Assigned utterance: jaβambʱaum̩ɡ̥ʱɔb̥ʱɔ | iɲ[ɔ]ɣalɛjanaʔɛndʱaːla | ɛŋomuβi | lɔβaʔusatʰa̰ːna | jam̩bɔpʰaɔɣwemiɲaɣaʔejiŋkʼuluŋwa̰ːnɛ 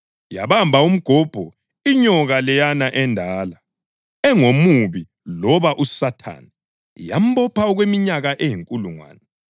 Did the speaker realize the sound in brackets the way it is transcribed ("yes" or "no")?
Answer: yes